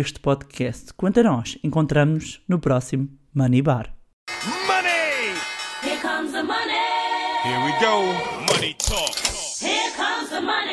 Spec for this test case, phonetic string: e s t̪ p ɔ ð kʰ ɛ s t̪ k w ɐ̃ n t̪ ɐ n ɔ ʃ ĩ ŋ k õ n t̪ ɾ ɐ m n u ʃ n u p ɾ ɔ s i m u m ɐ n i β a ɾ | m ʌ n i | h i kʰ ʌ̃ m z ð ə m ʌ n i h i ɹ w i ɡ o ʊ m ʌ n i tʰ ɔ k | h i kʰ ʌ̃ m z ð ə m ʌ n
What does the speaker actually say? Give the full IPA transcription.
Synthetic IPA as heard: e ʃ t̪ p ɔ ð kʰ ɛ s t̪ k w ɐ̃ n t̪ ɐ n ɔ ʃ ẽ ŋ k õ n t̪ ɾ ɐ m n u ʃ n u p ɾ ɔ s i m u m ɐ n i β a ɾ | m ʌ n i | h i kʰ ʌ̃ m z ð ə m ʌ n i h i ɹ w i ɡ o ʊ m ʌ n i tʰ ɔ k | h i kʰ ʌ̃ m z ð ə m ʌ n